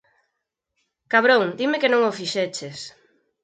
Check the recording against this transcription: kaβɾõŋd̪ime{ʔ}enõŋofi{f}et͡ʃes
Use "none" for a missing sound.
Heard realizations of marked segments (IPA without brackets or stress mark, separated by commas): k, ʃ